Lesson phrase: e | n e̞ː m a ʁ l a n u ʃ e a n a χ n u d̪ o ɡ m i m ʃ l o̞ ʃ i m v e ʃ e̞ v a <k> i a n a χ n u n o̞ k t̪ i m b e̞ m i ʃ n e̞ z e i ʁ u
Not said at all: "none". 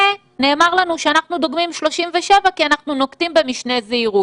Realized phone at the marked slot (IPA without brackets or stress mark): k